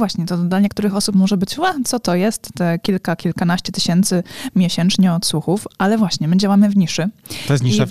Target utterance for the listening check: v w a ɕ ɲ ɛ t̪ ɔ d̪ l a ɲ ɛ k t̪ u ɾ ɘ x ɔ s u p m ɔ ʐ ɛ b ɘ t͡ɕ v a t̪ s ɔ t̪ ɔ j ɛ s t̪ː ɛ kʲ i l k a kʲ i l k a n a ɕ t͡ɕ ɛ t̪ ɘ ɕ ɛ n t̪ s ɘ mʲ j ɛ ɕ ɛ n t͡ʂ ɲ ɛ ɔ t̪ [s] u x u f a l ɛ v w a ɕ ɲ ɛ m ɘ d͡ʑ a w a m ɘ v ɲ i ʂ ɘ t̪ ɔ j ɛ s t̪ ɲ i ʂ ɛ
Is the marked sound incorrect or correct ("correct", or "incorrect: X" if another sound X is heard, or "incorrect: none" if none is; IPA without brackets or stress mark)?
correct